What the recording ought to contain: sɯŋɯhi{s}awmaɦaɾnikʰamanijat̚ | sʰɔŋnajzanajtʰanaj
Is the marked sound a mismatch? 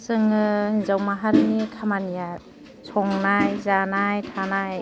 yes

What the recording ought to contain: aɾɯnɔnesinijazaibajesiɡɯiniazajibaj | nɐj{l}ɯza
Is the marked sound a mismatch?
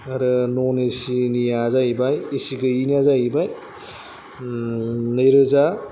yes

